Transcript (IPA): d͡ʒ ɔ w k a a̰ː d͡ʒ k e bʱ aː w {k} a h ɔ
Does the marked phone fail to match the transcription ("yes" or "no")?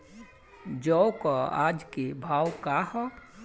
no